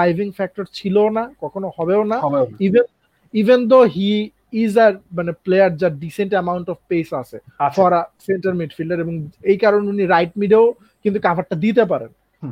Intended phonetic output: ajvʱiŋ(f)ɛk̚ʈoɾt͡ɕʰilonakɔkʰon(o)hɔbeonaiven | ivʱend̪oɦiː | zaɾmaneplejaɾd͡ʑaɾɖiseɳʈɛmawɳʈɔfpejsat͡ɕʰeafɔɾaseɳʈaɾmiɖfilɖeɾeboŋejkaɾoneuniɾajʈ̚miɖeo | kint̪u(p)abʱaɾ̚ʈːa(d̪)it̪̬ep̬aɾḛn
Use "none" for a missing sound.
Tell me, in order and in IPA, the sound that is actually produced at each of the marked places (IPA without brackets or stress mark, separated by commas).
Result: f, o, k, d̪